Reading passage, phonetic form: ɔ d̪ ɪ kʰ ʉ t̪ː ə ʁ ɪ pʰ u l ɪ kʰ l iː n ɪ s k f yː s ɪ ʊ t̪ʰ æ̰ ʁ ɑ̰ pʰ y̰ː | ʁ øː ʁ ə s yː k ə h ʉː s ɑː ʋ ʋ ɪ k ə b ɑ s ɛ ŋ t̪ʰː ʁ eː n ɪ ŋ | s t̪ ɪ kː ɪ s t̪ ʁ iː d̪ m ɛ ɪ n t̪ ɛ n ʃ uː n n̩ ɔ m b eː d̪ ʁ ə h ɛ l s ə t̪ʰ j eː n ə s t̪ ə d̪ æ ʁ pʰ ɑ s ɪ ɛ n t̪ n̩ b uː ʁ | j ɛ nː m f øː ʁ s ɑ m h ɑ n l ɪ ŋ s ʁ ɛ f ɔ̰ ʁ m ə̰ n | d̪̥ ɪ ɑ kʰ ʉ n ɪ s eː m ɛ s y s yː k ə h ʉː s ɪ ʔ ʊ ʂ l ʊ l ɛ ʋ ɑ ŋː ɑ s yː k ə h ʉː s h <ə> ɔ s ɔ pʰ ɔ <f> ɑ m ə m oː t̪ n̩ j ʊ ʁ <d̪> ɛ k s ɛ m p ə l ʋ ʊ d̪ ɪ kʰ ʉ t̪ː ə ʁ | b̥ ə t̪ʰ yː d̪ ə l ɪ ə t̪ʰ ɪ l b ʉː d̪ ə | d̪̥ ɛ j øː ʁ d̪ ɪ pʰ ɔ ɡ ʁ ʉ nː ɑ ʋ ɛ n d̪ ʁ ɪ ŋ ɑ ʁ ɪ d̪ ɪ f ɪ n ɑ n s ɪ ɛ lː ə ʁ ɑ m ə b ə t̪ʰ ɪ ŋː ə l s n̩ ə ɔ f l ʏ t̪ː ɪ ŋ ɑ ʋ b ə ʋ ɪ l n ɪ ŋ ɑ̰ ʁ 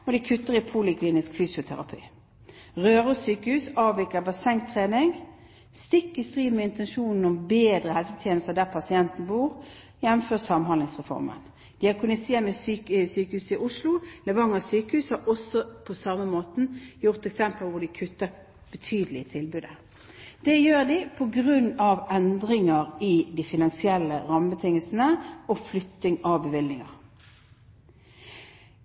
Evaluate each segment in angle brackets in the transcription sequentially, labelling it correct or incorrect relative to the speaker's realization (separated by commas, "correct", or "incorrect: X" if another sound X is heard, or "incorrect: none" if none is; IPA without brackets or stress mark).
incorrect: ɑ, incorrect: s, incorrect: t̪